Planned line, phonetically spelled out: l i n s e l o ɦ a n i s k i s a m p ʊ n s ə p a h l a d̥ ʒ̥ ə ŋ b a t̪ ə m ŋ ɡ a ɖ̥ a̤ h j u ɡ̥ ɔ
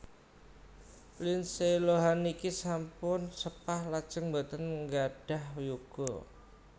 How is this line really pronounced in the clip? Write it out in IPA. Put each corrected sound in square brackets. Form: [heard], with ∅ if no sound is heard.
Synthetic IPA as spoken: l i n s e l o ɦ a n i [∅] k i s a m p ʊ n s ə p a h l a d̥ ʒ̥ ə ŋ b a t̪ ə [n] ŋ ɡ a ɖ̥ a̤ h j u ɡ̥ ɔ